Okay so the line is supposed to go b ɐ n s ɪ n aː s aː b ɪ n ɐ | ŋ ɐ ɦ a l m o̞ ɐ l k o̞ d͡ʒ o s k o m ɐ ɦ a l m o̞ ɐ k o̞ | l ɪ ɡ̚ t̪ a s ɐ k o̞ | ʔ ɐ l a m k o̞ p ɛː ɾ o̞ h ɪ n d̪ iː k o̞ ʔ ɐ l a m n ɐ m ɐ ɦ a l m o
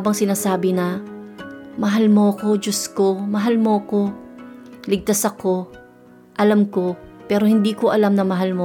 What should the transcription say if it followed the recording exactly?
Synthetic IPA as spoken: b ɐ ŋ s ɪ n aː s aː b ɪ n ɐ | m ɐ ɦ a l m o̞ ɐ k o̞ d͡ʒ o s k o m ɐ ɦ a l m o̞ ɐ k o̞ | l ɪ ɡ̚ t̪ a s ɐ k o̞ | ʔ ɐ l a m k o̞ p ɛː ɾ o̞ h ɪ n d̪ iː k o̞ ʔ ɐ l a m n ɐ m ɐ ɦ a l m o